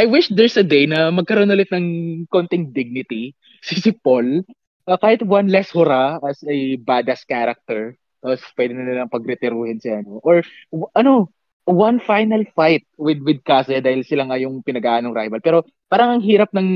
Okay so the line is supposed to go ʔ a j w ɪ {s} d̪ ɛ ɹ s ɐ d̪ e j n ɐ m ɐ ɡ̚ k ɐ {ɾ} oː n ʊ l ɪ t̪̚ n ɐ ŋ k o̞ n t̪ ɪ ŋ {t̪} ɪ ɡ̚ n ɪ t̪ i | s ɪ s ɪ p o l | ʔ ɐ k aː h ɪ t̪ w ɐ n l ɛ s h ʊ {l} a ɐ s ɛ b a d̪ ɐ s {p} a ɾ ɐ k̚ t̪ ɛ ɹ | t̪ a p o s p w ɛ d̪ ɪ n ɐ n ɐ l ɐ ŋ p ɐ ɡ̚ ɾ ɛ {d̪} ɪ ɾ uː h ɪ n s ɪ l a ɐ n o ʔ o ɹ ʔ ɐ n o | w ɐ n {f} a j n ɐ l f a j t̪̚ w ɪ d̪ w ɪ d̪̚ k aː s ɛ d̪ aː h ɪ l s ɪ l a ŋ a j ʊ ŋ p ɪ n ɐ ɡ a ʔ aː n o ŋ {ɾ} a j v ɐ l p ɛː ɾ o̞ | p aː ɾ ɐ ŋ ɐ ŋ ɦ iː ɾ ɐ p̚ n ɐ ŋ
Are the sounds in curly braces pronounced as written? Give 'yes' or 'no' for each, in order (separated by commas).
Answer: no, yes, no, no, no, no, yes, yes